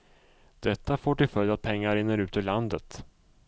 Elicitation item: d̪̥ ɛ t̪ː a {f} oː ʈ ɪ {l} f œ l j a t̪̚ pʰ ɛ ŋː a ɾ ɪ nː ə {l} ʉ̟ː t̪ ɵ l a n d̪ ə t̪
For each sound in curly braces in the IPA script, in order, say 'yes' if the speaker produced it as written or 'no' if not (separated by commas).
yes, yes, no